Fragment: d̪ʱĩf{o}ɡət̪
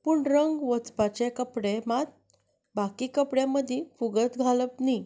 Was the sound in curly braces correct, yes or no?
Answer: no